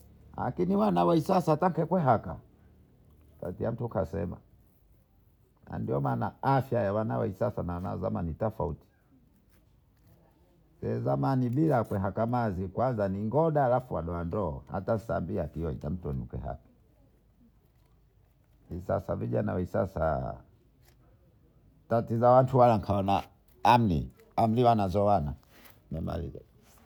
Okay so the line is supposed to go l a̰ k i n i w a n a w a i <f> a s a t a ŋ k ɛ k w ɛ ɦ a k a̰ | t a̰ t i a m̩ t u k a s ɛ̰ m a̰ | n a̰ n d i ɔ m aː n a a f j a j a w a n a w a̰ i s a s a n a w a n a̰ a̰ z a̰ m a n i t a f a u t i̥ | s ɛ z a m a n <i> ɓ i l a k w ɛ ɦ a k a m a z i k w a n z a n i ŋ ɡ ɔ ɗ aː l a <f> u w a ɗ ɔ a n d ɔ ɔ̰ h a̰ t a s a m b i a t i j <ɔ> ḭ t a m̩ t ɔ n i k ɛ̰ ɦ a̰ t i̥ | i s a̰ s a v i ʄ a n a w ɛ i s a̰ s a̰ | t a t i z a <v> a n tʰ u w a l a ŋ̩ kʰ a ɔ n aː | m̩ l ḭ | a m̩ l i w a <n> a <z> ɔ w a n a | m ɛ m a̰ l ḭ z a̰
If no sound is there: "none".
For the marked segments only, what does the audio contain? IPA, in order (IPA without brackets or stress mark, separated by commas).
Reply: s, i, f, ɔ, w, n, z